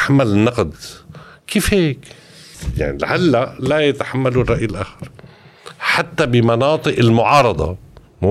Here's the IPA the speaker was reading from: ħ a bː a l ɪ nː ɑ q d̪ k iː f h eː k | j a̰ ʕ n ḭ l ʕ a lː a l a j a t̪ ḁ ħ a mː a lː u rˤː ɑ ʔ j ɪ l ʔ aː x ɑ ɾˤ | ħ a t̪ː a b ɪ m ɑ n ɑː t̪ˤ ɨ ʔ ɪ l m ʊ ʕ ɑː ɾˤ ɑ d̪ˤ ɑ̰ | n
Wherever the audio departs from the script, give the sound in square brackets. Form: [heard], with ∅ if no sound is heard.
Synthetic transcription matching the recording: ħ a [mː] a l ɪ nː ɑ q d̪ k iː f h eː k | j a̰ ʕ n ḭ l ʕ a lː a l a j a t̪ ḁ ħ a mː a [l] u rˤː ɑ ʔ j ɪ l ʔ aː x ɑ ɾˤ | ħ a t̪ː a b ɪ m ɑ n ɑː t̪ˤ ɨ ʔ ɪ l m ʊ ʕ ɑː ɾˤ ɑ d̪ˤ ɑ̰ | [m]